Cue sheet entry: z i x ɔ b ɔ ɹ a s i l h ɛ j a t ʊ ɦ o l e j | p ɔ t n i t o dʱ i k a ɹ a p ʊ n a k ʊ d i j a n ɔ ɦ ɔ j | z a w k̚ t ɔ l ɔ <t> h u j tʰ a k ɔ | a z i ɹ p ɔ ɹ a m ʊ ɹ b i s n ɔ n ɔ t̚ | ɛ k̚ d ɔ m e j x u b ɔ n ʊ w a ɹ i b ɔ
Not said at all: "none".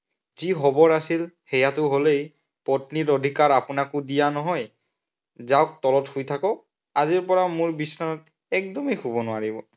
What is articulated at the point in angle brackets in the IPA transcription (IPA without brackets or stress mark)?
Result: t